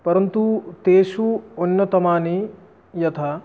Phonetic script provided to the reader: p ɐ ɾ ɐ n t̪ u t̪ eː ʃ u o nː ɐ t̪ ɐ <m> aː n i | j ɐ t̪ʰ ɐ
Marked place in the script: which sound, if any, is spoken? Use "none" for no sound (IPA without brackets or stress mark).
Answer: m